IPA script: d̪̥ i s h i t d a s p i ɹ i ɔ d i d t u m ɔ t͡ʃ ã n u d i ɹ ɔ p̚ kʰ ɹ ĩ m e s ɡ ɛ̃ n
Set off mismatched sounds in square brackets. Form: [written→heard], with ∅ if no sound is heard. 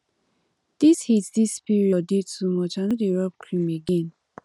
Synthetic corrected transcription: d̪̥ i s h i t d [a→i] s p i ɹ i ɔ d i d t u m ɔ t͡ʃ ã n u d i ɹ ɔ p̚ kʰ ɹ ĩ m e [s→∅] ɡ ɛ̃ n